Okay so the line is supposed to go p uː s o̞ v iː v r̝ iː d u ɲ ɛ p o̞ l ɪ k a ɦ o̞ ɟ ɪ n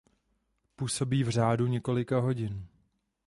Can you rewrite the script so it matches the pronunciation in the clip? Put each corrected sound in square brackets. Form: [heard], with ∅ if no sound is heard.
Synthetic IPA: p uː s o̞ [b] iː v r̝ [aː] d u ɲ ɛ [k] o̞ l ɪ k a ɦ o̞ ɟ ɪ n

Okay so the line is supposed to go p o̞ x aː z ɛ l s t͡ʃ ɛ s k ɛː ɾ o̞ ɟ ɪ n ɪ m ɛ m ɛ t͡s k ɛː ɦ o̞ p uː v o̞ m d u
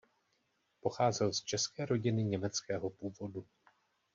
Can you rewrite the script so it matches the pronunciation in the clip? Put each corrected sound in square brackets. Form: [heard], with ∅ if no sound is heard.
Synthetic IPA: p o̞ x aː z ɛ l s t͡ʃ ɛ s k ɛː ɾ o̞ ɟ ɪ n ɪ [ɲ] ɛ m ɛ t͡s k ɛː ɦ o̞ p uː v o̞ [∅] d u

